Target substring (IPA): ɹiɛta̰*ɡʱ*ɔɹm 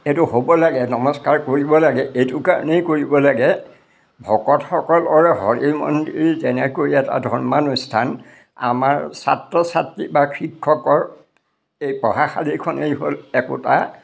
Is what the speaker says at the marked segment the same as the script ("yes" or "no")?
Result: no